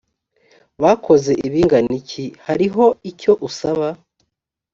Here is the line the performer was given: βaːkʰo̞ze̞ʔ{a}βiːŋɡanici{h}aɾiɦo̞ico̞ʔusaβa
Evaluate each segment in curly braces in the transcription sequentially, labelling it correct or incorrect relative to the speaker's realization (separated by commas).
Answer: incorrect, correct